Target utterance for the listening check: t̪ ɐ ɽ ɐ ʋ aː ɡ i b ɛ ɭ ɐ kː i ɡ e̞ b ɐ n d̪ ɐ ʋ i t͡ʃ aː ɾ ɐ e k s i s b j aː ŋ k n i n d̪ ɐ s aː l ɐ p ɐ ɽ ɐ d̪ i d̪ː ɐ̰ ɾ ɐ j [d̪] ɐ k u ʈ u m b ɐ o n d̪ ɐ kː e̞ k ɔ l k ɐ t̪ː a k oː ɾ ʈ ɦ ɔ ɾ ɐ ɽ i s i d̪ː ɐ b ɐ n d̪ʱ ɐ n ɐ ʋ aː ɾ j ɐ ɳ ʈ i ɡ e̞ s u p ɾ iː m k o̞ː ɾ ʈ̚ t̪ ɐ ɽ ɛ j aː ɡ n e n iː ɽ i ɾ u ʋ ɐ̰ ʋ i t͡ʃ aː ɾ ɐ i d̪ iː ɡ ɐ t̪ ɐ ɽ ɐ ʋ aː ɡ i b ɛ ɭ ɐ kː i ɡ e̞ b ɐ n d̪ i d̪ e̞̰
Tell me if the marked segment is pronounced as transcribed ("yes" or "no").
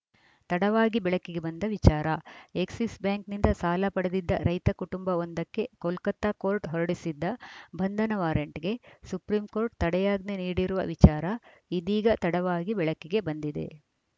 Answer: no